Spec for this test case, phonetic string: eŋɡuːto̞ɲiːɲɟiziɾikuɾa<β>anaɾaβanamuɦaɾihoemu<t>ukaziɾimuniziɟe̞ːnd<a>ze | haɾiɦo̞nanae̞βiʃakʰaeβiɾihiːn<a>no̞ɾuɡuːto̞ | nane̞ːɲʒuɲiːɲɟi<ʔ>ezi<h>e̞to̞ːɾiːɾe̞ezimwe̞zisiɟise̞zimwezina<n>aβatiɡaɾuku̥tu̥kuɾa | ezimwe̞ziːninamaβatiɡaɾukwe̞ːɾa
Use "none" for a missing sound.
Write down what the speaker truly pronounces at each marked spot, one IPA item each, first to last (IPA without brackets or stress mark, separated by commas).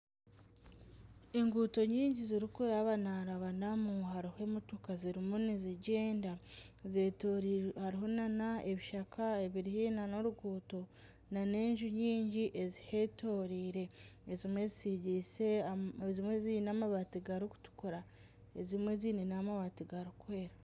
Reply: β, t, a, a, ʔ, h, m